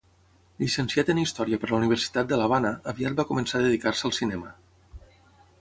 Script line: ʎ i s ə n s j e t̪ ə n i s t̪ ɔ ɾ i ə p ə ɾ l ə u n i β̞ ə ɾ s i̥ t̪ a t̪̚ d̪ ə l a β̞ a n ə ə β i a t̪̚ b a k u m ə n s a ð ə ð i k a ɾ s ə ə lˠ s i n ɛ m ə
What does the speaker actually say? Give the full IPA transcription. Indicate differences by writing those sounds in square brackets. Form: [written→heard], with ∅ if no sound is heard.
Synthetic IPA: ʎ i s ə n s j [e→a] t̪ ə n i s t̪ ɔ ɾ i ə p ə ɾ l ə u n i β̞ ə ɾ s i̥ t̪ a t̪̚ d̪ ə l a β̞ a n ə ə β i a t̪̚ b a k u m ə n s a ð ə ð i k a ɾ s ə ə lˠ s i n ɛ m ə